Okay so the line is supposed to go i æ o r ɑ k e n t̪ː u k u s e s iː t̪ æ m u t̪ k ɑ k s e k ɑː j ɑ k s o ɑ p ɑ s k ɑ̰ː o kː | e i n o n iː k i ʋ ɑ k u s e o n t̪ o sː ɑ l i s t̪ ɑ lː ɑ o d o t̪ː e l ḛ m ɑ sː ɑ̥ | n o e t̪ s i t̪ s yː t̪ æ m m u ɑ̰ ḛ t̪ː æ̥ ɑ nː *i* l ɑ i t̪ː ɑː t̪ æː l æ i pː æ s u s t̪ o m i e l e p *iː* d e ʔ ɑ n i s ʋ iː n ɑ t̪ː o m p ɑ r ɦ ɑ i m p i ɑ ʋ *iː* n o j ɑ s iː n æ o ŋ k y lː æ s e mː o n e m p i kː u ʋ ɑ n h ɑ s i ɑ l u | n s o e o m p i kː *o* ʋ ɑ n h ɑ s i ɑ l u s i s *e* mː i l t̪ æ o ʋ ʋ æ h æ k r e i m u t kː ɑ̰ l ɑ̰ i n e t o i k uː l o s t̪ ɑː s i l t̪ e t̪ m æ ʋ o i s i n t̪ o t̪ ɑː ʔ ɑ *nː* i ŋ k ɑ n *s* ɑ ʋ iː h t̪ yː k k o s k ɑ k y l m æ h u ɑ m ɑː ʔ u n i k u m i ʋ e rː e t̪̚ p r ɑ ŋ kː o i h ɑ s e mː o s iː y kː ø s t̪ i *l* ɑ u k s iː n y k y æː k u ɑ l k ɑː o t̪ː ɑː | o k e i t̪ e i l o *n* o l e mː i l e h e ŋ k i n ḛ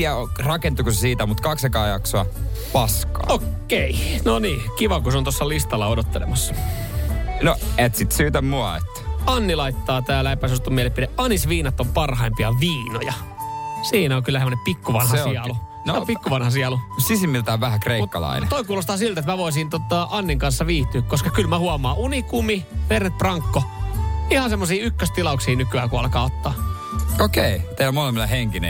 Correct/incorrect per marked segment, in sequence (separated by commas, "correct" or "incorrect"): correct, incorrect, correct, incorrect, incorrect, correct, incorrect, correct, incorrect